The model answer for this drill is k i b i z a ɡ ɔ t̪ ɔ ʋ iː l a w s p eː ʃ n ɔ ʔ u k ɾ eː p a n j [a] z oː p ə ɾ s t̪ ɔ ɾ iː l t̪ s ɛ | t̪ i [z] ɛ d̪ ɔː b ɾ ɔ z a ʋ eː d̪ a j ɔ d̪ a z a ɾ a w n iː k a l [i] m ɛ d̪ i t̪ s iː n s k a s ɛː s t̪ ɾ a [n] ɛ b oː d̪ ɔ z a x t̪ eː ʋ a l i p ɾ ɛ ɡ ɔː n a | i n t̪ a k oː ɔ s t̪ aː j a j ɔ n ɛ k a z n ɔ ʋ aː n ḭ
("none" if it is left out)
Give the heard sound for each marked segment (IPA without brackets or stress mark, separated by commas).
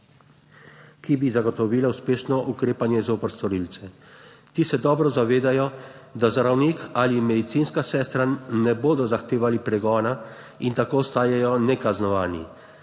ɛ, s, i, n